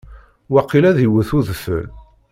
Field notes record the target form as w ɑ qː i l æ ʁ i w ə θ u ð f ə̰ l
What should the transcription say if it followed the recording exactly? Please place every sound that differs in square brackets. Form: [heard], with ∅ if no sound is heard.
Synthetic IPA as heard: w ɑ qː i l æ [ð] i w ə θ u ð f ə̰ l